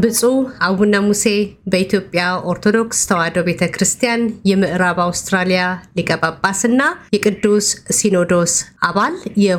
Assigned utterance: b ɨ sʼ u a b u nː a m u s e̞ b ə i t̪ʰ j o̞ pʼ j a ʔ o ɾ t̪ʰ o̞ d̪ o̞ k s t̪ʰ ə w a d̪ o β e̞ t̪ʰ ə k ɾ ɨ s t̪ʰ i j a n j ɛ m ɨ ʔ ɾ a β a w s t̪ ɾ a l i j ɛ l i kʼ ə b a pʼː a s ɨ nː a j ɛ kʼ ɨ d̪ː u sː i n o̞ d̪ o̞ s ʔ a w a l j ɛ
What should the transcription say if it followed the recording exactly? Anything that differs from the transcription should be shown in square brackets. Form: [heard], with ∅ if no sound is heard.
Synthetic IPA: b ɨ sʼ u a [w] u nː a m u s e̞ b ə i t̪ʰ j o̞ pʼ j a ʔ o ɾ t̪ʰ o̞ d̪ o̞ k s t̪ʰ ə w a d̪ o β e̞ t̪ʰ ə k ɾ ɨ s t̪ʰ i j a n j ɛ m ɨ ʔ ɾ a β a w s t̪ ɾ a l i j [a] l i kʼ ə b a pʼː a s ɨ nː a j ɛ kʼ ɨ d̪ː u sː i n o̞ d̪ o̞ s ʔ a [β] a l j ɛ